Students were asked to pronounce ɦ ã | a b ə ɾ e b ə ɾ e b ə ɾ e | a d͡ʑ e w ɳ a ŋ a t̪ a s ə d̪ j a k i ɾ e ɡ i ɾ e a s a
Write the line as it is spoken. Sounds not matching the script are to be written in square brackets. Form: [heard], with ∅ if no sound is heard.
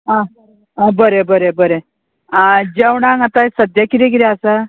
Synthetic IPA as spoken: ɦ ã | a b ə ɾ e b ə ɾ e b ə ɾ e | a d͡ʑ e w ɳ a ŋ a t̪ a s ə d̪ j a k i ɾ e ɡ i ɾ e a s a